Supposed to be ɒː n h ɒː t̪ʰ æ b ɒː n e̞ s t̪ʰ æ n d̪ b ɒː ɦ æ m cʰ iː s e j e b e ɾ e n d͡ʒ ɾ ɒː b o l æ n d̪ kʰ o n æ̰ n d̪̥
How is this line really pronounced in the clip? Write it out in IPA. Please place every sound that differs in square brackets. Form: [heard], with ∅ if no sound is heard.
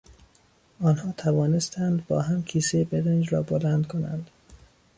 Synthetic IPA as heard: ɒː n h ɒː t̪ʰ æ [v] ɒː n e̞ s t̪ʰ æ n d̪ b ɒː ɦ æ m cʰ iː s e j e b e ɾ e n d͡ʒ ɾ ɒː b o l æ n d̪ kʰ o n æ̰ n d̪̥